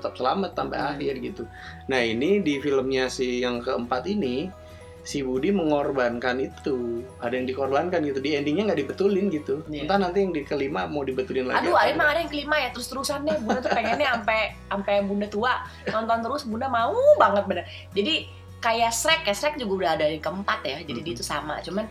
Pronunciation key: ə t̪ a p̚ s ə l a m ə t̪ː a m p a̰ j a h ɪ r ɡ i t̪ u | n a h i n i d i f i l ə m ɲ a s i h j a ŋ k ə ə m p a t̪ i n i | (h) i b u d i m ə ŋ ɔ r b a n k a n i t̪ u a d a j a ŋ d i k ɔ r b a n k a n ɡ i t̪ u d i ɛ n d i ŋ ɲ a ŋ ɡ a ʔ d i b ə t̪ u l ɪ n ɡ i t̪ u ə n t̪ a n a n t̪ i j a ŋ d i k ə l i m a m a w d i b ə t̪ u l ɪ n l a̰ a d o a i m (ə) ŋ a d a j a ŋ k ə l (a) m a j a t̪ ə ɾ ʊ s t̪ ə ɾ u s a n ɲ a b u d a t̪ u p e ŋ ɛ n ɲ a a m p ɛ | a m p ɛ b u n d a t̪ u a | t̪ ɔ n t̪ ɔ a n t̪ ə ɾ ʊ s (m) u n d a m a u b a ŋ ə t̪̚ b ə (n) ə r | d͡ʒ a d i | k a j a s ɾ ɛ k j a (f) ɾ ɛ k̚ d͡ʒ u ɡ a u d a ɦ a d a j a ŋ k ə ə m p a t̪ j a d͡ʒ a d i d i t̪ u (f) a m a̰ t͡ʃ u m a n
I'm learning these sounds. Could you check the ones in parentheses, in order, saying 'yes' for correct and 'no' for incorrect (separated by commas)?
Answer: no, no, no, no, yes, no, no